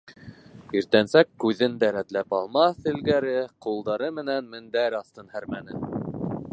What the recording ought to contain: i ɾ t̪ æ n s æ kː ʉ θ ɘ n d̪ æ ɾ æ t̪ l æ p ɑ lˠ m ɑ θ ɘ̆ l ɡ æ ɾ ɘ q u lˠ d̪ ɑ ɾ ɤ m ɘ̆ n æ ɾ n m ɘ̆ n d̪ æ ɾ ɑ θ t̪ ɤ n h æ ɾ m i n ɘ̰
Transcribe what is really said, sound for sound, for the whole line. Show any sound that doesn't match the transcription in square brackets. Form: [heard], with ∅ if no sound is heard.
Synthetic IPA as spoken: i ɾ t̪ æ n s æ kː ʉ [ð] ɘ n d̪ æ ɾ æ t̪ l æ p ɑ lˠ m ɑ θ ɘ̆ l ɡ æ ɾ ɘ q u lˠ d̪ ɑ ɾ ɤ m ɘ̆ n æ [∅] n m ɘ̆ n d̪ æ ɾ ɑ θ t̪ ɤ n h æ ɾ m [æ] n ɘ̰